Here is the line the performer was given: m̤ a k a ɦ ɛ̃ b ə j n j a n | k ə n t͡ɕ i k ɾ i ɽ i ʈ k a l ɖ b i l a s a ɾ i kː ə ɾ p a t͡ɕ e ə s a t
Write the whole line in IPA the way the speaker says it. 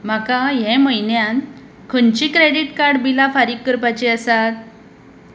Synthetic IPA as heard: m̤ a k a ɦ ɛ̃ m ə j n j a n | kʰ ə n t͡ɕ i k ɾ e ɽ i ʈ k a ɾ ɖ b i l a f a ɾ i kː ə ɾ p a t͡ɕ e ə s a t